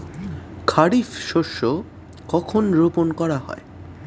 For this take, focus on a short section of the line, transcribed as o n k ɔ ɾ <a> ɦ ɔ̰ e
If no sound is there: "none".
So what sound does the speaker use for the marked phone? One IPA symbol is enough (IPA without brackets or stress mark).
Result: a